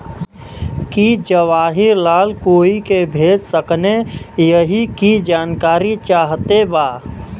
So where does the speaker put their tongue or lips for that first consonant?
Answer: velum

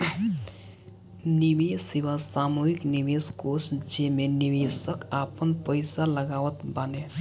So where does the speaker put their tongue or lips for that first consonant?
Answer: tongue tip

